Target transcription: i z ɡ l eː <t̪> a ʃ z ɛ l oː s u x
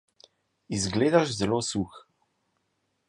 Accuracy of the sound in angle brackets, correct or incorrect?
incorrect